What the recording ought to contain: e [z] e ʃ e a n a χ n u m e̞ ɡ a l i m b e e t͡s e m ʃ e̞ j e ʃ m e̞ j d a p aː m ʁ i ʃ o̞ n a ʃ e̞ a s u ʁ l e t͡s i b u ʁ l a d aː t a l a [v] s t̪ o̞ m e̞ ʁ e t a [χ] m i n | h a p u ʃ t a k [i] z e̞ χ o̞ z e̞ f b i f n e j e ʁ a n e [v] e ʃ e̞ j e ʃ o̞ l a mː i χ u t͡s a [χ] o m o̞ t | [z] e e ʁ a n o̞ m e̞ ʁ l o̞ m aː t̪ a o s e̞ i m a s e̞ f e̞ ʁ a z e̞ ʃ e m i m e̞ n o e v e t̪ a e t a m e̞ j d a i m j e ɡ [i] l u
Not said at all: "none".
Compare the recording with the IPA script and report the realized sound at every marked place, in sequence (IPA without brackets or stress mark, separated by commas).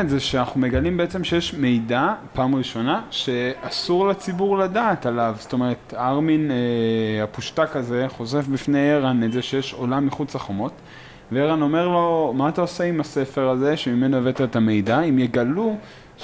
z, v, ʁ, a, z, χ, v, a